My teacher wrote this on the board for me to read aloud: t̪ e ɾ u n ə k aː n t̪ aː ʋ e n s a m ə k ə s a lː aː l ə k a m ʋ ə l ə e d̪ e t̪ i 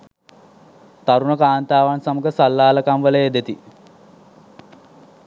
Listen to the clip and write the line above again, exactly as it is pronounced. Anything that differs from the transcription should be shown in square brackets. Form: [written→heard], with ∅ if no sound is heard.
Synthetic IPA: t̪ [e→a] ɾ u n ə k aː n t̪ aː ʋ [e→a] n s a m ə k ə s a lː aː l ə k a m ʋ ə l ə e d̪ e t̪ i